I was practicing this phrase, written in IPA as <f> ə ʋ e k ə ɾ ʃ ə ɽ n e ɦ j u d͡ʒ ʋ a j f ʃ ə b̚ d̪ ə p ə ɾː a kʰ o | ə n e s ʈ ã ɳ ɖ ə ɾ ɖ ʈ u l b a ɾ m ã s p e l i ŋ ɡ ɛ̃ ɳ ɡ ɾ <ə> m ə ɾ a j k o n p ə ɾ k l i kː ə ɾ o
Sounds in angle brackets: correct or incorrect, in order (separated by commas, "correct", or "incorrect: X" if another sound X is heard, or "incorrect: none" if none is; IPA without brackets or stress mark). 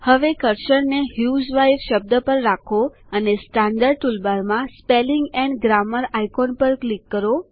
incorrect: h, incorrect: a